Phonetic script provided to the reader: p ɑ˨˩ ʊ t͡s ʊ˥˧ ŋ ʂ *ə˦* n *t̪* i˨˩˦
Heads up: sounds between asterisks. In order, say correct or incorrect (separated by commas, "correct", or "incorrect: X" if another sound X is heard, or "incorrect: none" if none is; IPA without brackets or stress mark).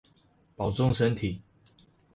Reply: correct, incorrect: t̪ʰ